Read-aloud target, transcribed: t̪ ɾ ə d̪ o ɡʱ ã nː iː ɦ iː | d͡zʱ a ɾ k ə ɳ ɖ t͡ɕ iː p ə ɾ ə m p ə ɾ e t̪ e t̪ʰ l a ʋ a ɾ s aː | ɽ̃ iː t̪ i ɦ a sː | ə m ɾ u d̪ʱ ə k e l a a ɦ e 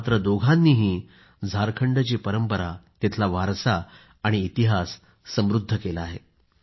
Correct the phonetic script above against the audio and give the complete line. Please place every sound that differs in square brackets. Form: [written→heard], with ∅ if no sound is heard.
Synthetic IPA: t̪ ɾ ə d̪ o ɡʱ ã nː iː ɦ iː | d͡zʱ a ɾ [k→kʰ] ə ɳ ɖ t͡ɕ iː p ə ɾ ə m p ə ɾ [e→a] t̪ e t̪ʰ l a ʋ a ɾ s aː | ɽ̃ iː t̪ i ɦ a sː | ə m ɾ u [d̪ʱ→d̪ʱː] ə k e l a a ɦ e